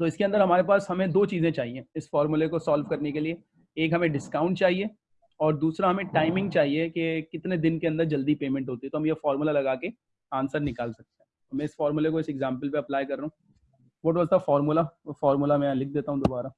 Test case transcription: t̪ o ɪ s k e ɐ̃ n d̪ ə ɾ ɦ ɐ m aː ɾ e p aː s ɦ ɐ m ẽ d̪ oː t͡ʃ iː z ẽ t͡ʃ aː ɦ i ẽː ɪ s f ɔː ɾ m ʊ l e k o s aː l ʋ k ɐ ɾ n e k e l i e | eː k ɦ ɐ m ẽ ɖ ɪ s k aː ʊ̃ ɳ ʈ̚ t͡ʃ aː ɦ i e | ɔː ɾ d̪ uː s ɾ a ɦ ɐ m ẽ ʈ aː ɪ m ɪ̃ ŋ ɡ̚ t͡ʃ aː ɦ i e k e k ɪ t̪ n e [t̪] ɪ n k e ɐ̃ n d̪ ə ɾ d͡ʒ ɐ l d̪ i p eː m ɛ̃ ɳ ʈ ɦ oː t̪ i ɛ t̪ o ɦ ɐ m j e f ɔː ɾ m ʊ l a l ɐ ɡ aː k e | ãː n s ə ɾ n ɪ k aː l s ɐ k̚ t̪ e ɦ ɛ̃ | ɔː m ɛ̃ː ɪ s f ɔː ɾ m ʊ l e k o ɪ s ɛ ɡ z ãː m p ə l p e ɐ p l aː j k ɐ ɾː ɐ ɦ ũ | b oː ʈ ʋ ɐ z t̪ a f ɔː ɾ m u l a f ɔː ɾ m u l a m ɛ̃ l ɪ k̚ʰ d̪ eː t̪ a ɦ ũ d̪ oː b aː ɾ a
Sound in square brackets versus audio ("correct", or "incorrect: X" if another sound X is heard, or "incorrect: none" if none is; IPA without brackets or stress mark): incorrect: d̪